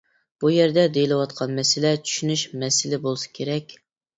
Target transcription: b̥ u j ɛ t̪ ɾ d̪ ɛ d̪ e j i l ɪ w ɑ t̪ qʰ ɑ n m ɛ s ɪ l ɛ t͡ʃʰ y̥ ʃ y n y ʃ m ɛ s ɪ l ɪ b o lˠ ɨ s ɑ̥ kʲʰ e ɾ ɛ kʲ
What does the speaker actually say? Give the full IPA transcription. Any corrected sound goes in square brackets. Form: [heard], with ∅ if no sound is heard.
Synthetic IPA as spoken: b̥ u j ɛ [∅] ɾ d̪ ɛ d̪ e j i l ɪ w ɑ t̪ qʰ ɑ n m ɛ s ɪ l ɛ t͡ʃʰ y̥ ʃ y n y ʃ m ɛ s ɪ l ɪ b o lˠ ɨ s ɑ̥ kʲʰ e ɾ ɛ kʲ

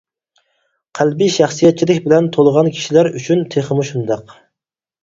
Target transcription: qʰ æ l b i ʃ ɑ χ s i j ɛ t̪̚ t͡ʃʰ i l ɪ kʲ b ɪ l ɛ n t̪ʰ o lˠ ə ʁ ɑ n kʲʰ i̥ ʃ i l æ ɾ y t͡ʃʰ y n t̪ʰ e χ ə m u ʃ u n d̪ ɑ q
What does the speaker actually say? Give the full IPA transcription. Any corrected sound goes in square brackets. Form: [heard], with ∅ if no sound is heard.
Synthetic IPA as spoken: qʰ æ l b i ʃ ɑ χ s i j ɛ t̪̚ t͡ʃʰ i l ɪ kʲ b ɪ l ɛ n t̪ʰ o lˠ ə ʁ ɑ n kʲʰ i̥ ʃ i l æ ɾ y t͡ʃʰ y n t̪ʰ e χ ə m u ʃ u n d̪ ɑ q

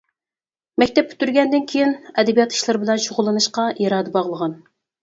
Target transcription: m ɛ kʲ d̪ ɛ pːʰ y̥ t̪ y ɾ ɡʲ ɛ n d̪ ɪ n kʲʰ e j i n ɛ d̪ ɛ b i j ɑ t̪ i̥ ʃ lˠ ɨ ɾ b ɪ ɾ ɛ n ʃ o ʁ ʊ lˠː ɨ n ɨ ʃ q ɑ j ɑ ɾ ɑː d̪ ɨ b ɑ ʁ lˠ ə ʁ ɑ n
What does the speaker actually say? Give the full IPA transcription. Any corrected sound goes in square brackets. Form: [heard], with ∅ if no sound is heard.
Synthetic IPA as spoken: m ɛ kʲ [t̪] ɛ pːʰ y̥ t̪ y ɾ ɡʲ ɛ n d̪ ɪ n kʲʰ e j i n ɛ d̪ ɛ b i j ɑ t̪ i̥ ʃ lˠ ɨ ɾ b ɪ [l] ɛ n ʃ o ʁ ʊ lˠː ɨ n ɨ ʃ q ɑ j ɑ ɾ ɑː d̪ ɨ b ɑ ʁ lˠ ə ʁ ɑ n

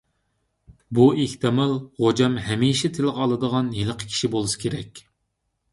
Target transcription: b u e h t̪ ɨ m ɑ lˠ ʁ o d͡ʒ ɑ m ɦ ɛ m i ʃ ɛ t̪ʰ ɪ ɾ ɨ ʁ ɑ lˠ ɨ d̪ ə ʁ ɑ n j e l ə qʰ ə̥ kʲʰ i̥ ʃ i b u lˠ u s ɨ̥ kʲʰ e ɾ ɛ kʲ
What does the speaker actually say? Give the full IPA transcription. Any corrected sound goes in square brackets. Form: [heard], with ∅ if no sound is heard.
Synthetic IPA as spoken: b u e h t̪ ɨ m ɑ lˠ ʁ o d͡ʒ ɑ m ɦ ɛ m i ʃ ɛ t̪ʰ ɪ [l] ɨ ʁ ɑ lˠ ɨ d̪ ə ʁ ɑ n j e l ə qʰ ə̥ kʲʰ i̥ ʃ i b [o] lˠ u s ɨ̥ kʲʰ e ɾ ɛ kʲ

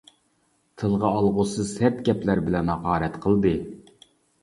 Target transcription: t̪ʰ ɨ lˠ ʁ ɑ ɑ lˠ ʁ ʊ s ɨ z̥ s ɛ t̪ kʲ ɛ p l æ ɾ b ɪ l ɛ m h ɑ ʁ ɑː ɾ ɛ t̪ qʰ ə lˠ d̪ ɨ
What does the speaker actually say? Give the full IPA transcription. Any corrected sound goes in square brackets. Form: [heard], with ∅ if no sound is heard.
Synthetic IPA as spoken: t̪ʰ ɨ lˠ ʁ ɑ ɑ lˠ ʁ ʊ s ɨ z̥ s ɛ t̪ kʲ ɛ p l æ ɾ b ɪ l ɛ [n] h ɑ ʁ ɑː ɾ ɛ t̪ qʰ ə lˠ d̪ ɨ

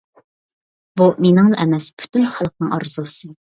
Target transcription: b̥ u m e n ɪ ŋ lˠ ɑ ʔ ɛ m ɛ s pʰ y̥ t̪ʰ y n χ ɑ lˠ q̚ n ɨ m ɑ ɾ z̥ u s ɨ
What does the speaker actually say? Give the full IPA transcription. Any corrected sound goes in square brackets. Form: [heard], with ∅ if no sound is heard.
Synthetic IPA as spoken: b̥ u m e n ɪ ŋ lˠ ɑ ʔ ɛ m ɛ s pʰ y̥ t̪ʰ y n χ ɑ lˠ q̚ n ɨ [ŋ] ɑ ɾ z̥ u s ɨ

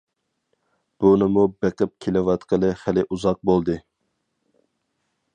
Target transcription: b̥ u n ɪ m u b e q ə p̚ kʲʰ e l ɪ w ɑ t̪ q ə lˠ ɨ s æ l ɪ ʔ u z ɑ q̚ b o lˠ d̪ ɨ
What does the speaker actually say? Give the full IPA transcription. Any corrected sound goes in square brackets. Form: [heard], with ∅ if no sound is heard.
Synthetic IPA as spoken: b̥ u n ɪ m u b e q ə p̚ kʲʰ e l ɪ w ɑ t̪ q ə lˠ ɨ [χ] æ l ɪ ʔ u z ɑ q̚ b o lˠ d̪ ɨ

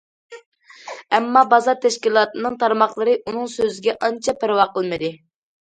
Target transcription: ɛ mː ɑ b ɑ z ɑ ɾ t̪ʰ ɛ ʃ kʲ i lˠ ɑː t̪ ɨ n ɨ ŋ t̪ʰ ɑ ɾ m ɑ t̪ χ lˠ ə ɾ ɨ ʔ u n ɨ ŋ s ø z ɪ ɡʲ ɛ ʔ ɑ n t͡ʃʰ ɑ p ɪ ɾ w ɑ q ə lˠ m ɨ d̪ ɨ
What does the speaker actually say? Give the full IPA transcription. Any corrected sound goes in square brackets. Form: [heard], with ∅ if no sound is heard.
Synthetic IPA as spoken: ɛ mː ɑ b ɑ z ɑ ɾ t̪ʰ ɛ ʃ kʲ i lˠ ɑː t̪ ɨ n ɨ ŋ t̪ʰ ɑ ɾ m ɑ [∅] χ lˠ ə ɾ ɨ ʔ u n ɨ ŋ s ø z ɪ ɡʲ ɛ ʔ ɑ n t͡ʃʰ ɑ p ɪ ɾ w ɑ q ə lˠ m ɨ d̪ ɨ

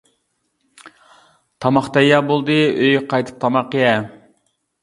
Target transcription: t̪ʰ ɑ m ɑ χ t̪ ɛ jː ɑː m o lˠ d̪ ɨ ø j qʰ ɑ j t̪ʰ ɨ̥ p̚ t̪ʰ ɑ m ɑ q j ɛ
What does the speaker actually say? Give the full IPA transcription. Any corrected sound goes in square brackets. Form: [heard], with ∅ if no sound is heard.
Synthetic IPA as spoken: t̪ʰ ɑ m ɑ χ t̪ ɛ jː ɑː [b] o lˠ d̪ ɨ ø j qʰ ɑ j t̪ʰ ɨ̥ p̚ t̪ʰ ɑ m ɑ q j ɛ

